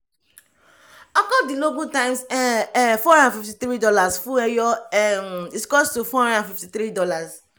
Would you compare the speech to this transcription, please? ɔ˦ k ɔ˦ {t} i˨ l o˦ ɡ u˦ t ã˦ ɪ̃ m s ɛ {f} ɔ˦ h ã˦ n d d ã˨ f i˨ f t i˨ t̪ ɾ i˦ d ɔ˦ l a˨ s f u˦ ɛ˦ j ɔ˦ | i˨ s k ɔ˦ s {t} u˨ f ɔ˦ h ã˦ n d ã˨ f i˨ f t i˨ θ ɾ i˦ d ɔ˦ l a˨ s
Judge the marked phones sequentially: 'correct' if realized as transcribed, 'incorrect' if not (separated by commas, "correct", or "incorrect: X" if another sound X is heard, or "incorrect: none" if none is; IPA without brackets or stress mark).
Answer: incorrect: d, correct, correct